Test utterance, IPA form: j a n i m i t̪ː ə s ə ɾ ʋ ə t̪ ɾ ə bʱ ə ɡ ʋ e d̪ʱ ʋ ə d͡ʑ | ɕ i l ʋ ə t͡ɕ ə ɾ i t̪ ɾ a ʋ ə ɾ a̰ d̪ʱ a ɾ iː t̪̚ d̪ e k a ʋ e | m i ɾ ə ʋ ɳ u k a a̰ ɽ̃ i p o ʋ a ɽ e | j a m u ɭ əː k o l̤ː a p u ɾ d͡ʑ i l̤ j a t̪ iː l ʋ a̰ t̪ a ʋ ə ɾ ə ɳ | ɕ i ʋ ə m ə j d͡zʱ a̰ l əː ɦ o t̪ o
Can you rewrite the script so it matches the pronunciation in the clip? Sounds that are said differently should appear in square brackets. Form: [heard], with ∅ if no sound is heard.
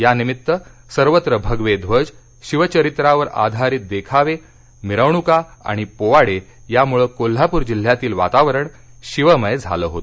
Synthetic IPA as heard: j a n i m i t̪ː ə s ə ɾ ʋ ə t̪ ɾ ə bʱ ə ɡ ʋ e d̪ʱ ʋ ə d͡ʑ | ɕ i [∅] ʋ ə t͡ɕ ə ɾ i t̪ ɾ a ʋ ə ɾ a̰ d̪ʱ a ɾ iː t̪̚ d̪ e [kʰ] a ʋ e | m i ɾ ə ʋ ɳ u k a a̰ ɽ̃ i p o ʋ a ɽ e | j a m u ɭ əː k o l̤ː a p u ɾ d͡ʑ i l̤ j a t̪ iː l ʋ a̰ t̪ a ʋ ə ɾ ə ɳ | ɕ i ʋ ə m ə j d͡zʱ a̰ l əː ɦ o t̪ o